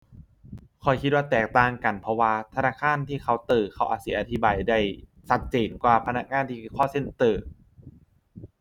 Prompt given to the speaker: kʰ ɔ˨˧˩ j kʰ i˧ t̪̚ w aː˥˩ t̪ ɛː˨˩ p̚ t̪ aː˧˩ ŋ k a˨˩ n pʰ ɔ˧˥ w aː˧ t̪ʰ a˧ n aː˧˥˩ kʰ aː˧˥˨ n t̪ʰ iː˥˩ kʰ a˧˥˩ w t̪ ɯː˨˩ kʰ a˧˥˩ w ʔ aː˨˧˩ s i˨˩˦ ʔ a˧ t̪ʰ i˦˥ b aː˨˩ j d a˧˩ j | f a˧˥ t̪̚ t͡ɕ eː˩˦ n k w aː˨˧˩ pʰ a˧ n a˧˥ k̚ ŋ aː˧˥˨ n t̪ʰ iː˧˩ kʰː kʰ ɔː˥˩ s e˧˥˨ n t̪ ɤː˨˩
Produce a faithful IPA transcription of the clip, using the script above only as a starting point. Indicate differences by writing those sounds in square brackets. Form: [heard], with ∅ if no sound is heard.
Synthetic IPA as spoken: kʰ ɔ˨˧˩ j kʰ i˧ t̪̚ w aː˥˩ t̪ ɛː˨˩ [k̚] t̪ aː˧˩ ŋ k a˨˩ n pʰ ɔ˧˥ w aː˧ t̪ʰ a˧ n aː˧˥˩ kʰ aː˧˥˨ n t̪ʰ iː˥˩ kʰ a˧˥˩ w t̪ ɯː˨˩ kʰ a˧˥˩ w ʔ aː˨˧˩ s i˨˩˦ ʔ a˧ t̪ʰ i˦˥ b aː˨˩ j d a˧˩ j | [s] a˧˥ t̪̚ t͡ɕ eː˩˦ n k w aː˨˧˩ pʰ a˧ n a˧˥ k̚ ŋ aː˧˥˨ n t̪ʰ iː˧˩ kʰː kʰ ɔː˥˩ s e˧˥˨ n t̪ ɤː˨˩

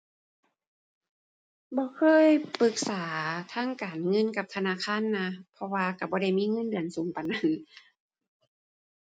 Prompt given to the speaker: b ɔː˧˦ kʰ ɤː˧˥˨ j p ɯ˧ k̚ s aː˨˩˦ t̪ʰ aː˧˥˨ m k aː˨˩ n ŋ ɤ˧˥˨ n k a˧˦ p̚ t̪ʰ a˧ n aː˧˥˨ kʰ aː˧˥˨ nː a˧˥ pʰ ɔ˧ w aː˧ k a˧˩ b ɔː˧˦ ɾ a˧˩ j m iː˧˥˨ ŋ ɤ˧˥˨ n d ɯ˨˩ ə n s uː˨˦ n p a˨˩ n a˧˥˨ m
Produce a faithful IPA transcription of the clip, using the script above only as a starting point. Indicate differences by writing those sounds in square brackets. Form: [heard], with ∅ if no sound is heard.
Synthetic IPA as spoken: b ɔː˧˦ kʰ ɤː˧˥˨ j p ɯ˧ k̚ s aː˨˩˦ t̪ʰ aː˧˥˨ [ŋ] k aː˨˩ n ŋ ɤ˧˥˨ n k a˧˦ p̚ t̪ʰ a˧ n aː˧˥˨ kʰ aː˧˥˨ nː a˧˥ pʰ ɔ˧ w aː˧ k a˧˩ b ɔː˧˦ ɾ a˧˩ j m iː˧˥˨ ŋ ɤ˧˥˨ n d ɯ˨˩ ə n s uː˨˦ [ŋ] p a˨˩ n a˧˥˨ [n]

